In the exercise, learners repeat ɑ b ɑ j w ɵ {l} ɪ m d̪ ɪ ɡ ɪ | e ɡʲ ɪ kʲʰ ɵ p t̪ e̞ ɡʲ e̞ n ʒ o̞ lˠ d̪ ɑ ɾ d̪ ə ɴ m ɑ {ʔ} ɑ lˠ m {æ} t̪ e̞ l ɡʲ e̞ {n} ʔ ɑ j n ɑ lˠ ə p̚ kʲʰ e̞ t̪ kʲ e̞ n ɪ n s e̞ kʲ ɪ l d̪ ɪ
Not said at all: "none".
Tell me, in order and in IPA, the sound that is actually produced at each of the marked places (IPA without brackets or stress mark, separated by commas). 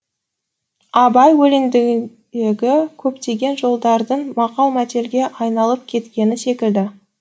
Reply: l, q, æ, none